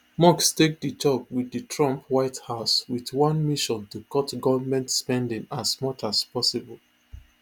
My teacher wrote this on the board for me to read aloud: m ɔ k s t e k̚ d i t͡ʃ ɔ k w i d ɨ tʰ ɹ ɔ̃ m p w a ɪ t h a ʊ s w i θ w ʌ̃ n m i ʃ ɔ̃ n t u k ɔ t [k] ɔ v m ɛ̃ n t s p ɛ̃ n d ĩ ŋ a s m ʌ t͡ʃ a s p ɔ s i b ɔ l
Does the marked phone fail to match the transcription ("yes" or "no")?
yes